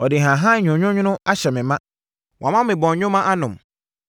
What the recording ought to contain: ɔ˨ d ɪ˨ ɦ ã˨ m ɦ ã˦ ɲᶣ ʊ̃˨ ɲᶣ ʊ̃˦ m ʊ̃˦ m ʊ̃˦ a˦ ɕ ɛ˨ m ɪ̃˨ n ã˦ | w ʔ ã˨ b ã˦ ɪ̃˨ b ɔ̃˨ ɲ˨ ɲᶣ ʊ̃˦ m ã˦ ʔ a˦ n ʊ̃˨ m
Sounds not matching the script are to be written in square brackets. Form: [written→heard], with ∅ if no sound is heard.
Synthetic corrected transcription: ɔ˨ d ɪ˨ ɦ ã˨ [m→∅] ɦ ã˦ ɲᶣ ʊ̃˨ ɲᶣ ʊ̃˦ [m→ɲ] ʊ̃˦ [m→n] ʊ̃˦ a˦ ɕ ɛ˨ m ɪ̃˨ [n→m] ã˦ | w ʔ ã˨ [b→m] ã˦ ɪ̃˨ b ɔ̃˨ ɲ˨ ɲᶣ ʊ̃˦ m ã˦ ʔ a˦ n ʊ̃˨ m